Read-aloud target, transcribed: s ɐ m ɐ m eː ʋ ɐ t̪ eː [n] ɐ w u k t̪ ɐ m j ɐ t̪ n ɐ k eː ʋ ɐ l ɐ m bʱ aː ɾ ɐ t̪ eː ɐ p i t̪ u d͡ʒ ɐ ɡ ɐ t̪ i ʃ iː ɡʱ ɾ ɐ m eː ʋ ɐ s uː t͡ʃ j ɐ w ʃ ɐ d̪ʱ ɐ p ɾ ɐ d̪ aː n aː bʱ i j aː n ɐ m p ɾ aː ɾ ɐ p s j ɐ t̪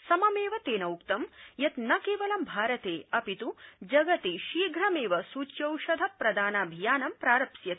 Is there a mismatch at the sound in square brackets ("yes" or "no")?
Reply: no